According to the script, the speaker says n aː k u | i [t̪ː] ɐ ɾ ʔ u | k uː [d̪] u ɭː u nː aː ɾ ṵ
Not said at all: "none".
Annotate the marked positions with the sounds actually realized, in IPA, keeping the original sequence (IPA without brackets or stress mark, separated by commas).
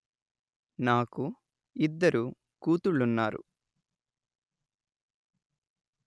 d̪ː, t̪